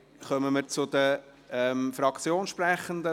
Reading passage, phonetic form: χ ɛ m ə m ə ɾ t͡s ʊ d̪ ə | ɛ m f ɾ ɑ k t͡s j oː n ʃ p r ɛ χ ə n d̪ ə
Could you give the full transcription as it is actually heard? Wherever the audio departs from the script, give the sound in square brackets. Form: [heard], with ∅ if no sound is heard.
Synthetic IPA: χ [œ] m ə m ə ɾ t͡s ʊ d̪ ə | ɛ m f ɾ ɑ k t͡s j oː n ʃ p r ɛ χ ə n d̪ ə